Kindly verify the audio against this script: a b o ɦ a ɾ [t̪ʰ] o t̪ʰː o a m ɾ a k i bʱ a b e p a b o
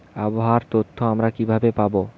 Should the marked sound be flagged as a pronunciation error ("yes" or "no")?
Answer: yes